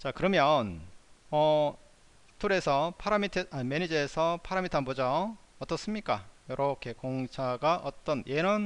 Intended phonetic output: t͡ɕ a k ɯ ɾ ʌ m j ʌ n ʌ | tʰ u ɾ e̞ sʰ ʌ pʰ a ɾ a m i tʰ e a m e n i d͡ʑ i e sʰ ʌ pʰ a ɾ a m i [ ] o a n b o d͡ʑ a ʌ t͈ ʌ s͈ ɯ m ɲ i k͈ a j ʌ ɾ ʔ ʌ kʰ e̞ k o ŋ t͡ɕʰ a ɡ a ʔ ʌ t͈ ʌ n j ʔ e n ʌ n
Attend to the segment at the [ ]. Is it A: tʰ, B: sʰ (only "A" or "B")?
A